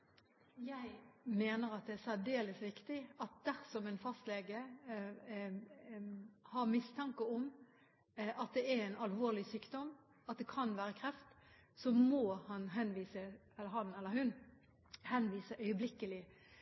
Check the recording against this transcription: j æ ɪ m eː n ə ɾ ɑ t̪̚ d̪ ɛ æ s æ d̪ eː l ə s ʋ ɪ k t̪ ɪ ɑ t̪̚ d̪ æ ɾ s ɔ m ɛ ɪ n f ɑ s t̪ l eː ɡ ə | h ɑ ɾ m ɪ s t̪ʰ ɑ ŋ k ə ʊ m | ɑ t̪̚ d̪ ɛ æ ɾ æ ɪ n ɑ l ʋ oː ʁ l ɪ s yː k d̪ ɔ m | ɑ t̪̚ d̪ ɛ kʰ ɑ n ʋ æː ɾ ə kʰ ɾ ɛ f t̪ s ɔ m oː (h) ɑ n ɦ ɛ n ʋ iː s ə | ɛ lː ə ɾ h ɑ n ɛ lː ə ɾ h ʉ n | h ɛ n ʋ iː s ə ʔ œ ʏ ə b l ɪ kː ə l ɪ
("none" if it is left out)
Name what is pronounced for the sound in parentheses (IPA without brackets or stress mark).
h